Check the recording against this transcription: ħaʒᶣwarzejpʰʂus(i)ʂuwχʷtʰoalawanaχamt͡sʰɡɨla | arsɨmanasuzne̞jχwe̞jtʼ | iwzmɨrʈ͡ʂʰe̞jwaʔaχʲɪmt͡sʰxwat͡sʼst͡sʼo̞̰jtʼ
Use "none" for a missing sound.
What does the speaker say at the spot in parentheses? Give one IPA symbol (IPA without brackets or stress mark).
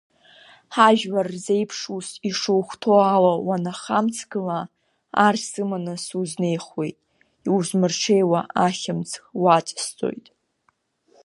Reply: i